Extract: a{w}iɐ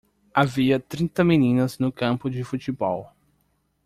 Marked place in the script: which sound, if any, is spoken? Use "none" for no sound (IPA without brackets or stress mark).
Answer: v